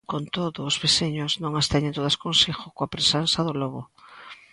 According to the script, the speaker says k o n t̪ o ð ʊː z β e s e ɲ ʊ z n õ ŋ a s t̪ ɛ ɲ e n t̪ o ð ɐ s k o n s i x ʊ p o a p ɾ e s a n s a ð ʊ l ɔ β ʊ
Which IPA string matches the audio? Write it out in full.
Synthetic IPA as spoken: k o n t̪ o ð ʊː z β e s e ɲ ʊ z n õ ŋ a s t̪ ɛ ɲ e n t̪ o ð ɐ s k o n s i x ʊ k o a p ɾ e s a n s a ð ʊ l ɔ β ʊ